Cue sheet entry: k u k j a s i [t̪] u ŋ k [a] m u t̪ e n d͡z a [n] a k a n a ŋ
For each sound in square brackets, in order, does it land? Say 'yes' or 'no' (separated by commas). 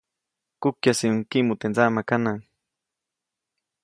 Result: no, no, no